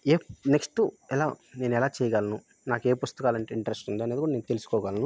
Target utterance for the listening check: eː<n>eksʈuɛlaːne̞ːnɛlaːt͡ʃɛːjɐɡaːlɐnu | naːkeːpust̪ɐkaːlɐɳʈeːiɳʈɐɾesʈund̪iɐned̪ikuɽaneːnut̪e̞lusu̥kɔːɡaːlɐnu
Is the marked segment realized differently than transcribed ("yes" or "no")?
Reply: no